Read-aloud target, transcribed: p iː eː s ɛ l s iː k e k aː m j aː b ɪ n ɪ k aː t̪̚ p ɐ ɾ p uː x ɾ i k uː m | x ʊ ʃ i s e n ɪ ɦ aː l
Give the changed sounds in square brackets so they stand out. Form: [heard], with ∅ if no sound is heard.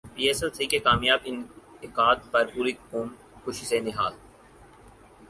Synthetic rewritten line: p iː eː s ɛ l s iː k e k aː m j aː b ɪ n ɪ k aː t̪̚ p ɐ ɾ p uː [∅] ɾ i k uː m | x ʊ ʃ i s e n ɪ ɦ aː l